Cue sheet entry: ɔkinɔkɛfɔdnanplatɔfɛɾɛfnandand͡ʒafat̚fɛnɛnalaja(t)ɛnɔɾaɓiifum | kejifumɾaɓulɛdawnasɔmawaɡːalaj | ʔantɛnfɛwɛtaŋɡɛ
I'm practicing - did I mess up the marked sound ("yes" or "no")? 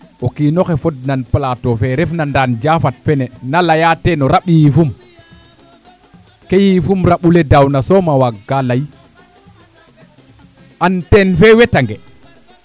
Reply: no